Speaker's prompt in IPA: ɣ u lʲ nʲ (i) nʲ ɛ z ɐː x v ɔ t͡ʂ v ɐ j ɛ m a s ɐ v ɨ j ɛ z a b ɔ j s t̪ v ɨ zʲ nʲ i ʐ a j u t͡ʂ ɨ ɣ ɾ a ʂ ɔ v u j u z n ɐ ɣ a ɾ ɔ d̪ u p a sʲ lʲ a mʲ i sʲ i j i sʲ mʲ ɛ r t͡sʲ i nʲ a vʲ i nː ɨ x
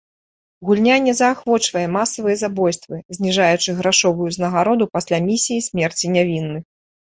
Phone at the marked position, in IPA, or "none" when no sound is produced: a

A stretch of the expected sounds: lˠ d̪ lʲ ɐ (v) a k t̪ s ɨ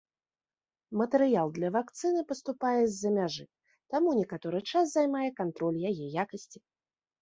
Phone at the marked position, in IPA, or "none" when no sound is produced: v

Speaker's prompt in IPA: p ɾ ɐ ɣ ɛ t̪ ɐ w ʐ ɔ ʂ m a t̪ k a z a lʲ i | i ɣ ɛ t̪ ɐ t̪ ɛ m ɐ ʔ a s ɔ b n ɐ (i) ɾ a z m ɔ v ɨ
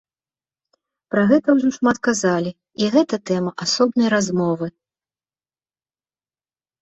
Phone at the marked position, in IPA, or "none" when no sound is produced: j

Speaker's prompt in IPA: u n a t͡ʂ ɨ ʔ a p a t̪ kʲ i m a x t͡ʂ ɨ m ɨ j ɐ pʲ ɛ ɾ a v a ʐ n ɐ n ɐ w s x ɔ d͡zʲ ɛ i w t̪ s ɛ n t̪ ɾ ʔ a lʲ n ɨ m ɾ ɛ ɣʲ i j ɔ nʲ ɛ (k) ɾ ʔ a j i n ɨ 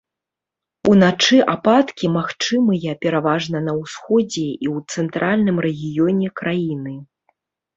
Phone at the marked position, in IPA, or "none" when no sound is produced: k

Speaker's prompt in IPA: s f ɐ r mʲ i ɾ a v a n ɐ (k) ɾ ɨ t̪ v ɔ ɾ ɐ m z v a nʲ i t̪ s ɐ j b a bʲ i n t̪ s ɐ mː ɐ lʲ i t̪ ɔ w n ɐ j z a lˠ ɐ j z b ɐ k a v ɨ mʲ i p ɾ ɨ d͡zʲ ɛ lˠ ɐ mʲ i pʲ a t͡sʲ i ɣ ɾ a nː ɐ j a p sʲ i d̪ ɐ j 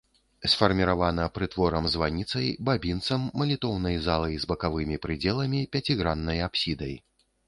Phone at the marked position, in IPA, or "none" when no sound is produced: p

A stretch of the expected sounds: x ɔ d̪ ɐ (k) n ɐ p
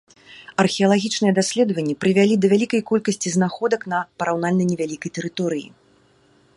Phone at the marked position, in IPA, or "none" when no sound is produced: k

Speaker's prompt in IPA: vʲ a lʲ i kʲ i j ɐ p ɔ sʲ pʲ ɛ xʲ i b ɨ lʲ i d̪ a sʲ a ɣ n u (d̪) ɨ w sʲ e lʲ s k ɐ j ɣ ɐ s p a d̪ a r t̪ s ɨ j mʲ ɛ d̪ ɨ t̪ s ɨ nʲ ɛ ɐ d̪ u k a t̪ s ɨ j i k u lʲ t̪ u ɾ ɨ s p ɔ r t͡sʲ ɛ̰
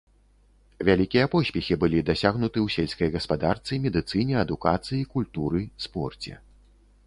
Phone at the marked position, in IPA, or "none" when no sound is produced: t̪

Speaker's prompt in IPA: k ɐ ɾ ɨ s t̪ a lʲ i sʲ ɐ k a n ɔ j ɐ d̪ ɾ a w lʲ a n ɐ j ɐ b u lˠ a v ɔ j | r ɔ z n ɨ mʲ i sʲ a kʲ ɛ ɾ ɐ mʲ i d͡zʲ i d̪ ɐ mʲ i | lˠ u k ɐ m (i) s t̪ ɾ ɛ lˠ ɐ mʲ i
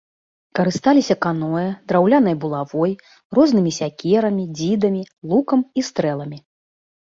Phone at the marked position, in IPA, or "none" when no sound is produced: i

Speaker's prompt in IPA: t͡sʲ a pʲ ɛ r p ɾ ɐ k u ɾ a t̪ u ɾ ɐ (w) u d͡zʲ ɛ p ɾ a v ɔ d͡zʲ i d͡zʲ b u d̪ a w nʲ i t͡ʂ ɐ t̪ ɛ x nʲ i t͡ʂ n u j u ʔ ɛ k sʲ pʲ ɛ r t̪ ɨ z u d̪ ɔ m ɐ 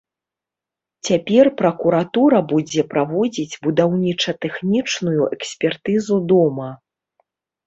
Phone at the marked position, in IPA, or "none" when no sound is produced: b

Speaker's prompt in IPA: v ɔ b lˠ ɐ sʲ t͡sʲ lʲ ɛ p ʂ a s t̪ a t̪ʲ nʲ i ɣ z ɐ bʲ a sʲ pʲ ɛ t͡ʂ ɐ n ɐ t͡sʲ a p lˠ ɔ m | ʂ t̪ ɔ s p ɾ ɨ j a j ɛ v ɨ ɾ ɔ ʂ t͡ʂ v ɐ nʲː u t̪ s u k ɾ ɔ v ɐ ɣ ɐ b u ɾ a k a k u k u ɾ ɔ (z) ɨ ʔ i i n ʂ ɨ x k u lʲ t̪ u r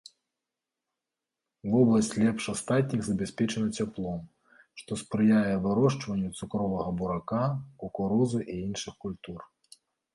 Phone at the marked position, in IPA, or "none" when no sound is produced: z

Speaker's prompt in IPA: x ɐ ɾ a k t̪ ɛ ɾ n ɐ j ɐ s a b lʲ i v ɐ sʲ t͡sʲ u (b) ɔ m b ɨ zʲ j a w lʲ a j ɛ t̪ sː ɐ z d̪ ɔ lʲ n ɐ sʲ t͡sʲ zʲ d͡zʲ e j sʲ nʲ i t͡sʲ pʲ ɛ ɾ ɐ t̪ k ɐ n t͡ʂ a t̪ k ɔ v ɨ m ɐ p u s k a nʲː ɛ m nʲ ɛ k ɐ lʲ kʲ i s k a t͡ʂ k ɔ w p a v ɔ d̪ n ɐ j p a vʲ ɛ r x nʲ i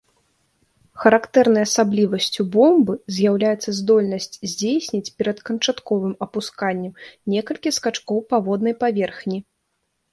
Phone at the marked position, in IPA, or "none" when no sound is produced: b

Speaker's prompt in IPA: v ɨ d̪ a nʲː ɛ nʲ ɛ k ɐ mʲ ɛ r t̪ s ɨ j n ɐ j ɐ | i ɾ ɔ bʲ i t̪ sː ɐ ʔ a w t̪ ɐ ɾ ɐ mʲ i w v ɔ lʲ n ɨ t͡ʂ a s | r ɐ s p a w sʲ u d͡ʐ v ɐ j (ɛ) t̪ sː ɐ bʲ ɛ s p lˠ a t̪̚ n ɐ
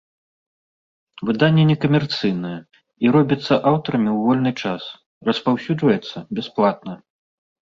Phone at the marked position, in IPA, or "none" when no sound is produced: ɛ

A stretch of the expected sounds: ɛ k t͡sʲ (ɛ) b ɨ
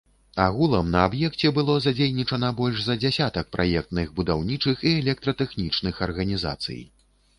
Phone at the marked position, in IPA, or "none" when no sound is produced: ɛ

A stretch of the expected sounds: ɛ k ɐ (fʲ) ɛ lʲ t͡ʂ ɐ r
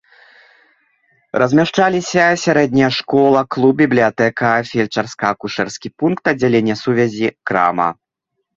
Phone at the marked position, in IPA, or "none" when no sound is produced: fʲ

